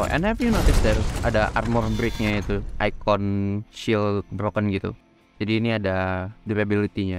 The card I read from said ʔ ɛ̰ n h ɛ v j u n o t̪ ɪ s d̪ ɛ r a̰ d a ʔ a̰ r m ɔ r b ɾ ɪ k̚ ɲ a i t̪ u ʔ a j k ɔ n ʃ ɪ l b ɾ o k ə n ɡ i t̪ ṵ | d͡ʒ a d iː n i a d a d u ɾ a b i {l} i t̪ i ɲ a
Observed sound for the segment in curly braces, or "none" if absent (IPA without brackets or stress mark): l